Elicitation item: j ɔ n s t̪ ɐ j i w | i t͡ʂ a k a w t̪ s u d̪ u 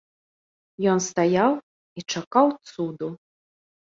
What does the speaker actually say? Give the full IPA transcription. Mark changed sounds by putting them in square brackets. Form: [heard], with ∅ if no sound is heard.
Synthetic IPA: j ɔ n s t̪ [a] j [a] w | i t͡ʂ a k a w t̪ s u d̪ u